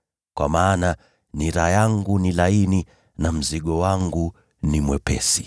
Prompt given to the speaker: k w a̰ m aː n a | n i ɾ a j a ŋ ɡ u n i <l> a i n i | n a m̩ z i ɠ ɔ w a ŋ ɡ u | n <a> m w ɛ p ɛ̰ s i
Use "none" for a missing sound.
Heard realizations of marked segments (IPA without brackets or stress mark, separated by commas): l, i